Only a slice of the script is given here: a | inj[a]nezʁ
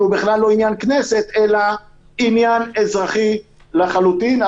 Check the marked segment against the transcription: correct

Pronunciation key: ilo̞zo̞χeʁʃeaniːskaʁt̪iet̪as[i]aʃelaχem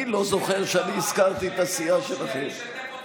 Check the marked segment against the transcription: correct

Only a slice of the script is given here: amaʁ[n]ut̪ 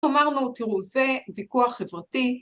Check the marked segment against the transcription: correct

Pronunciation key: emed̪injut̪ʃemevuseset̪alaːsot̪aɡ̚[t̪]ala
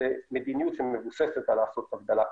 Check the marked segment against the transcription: incorrect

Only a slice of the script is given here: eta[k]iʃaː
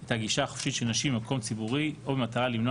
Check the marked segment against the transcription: incorrect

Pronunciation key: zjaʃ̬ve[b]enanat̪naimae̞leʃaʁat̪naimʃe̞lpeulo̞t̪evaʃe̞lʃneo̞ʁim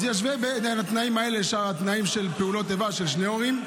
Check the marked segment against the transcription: correct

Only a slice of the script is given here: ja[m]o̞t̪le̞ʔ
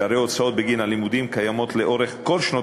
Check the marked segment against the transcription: correct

